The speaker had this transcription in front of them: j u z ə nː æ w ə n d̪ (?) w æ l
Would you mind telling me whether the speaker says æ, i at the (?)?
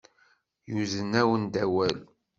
æ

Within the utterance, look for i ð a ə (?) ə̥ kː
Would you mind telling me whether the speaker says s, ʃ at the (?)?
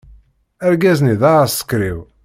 s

